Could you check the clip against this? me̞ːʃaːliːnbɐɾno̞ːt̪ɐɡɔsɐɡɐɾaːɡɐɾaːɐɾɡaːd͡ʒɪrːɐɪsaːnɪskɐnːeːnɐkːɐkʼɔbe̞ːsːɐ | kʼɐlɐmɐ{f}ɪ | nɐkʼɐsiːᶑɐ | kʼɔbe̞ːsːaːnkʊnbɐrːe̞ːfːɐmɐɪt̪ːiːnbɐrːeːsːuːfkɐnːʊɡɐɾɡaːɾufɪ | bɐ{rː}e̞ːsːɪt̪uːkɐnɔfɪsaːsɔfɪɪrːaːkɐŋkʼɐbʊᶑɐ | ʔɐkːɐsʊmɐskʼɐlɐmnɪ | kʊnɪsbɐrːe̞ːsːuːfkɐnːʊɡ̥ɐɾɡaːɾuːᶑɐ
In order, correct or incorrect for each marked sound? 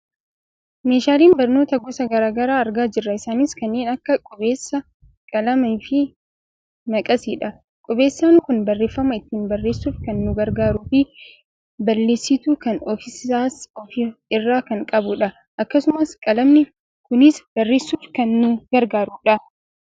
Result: correct, incorrect

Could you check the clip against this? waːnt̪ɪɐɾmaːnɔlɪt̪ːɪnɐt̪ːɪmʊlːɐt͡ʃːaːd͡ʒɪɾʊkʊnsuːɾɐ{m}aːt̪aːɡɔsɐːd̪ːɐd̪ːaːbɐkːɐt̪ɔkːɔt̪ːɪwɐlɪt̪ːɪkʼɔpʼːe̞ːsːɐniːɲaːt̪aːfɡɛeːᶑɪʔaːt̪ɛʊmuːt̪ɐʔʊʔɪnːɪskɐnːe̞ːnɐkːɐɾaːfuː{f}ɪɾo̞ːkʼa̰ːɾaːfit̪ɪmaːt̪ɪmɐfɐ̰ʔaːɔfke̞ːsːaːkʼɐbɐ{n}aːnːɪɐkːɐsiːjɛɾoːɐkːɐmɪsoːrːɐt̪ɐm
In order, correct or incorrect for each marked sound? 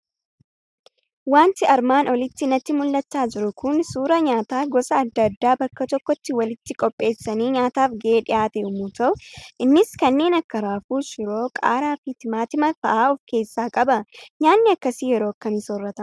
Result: incorrect, incorrect, incorrect

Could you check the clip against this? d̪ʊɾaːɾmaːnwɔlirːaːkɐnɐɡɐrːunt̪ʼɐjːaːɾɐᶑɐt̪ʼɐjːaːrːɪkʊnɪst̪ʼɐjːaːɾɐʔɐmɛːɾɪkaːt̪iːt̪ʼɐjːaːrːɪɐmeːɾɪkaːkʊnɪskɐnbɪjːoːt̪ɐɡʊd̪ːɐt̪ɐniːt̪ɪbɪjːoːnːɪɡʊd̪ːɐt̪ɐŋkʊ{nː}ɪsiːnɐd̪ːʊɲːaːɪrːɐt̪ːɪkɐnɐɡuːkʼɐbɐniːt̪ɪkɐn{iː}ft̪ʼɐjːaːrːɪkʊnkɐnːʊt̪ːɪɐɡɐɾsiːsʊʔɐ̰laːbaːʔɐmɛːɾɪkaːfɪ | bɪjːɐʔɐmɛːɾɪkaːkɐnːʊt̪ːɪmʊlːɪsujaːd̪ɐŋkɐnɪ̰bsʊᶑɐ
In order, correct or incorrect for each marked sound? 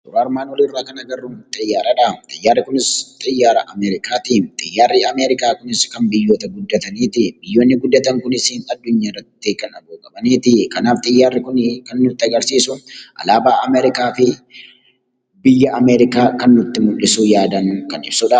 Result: incorrect, incorrect

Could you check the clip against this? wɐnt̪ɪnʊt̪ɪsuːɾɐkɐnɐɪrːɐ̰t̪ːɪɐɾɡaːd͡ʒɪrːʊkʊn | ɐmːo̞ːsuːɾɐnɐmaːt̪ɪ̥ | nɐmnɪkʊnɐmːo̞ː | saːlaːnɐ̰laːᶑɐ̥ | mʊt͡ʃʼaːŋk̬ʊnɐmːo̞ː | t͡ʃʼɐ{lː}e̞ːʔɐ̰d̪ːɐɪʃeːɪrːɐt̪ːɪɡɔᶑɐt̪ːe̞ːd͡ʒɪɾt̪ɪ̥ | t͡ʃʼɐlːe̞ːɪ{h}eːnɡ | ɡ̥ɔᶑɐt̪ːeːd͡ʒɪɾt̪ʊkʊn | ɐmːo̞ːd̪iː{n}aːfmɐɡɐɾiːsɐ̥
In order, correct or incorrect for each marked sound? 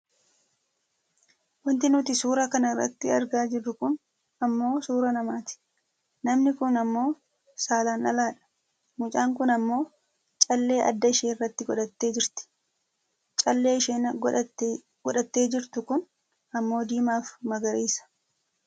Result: correct, incorrect, incorrect

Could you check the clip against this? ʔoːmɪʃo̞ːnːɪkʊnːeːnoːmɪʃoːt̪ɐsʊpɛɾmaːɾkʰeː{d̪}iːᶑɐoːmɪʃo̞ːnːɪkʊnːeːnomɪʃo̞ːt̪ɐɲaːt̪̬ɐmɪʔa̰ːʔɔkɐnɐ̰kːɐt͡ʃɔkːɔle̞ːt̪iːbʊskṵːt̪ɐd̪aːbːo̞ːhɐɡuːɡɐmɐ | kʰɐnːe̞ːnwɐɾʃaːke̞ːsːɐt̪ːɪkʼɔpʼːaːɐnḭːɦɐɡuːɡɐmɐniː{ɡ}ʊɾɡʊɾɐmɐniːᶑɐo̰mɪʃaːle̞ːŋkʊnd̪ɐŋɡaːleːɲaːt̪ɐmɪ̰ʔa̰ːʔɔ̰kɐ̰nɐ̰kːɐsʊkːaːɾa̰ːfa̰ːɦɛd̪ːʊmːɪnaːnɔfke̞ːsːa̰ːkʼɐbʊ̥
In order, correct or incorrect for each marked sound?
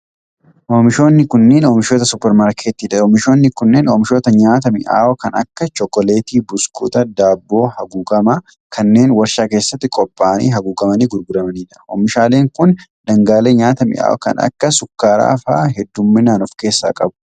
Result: incorrect, correct

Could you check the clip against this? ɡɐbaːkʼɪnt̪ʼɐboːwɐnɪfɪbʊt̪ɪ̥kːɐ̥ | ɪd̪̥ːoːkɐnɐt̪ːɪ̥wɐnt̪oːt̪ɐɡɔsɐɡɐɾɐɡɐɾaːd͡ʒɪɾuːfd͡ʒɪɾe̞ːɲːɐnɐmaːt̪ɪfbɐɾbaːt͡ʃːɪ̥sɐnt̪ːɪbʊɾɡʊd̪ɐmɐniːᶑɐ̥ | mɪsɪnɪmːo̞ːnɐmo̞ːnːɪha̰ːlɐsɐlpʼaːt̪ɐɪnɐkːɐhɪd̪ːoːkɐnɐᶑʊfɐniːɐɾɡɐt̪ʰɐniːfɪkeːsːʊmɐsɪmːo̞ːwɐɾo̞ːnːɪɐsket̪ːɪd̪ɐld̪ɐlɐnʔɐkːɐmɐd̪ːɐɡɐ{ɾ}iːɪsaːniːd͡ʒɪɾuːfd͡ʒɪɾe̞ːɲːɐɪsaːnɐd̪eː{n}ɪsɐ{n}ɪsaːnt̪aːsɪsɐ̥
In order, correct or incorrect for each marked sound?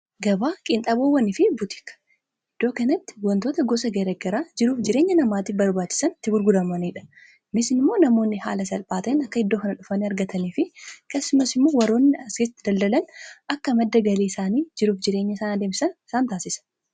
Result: incorrect, incorrect, correct

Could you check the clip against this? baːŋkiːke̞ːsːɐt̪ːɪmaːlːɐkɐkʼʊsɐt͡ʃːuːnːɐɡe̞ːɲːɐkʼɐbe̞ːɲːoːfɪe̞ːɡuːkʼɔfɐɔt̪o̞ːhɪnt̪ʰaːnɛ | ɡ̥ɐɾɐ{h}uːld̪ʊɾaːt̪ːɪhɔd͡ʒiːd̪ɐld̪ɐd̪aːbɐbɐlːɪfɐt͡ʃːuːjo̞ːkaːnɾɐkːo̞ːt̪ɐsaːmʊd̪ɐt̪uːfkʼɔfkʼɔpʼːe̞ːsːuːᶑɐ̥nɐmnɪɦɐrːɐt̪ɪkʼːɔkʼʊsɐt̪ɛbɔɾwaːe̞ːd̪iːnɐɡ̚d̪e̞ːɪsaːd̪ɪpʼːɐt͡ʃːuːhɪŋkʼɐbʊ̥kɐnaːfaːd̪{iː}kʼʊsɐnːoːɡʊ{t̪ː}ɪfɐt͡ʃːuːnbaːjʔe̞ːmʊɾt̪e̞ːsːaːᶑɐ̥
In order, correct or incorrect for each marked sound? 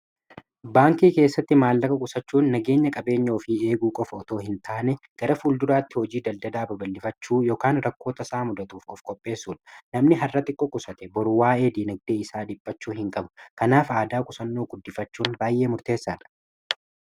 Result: incorrect, incorrect, incorrect

